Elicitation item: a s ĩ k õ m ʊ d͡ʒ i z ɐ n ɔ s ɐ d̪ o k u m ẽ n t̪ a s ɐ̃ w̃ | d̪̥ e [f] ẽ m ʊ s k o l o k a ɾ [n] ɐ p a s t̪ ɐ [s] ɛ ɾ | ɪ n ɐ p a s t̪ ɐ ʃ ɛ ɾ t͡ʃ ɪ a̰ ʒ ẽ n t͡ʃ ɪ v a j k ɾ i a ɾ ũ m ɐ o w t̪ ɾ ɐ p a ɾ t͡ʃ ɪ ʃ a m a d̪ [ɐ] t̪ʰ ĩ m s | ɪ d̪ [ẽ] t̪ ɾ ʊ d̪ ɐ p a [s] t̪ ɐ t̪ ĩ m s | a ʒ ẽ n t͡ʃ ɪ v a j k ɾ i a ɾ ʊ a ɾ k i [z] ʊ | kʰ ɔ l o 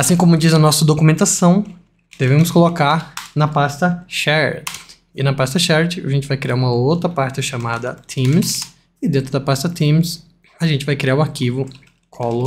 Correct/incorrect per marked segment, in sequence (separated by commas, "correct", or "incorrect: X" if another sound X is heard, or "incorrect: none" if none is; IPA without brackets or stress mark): incorrect: v, correct, incorrect: ʃ, correct, correct, correct, incorrect: v